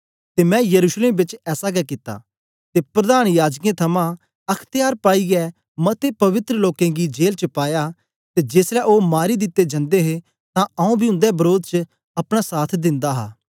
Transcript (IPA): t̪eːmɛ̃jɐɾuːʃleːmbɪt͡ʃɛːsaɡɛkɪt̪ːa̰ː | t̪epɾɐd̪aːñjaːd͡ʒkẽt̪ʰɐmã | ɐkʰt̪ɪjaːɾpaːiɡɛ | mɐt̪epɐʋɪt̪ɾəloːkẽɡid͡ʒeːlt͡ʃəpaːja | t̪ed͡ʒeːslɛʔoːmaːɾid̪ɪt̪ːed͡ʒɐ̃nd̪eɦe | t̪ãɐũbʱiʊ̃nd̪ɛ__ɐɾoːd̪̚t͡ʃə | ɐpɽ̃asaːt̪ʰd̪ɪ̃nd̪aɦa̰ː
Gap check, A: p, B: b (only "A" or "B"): B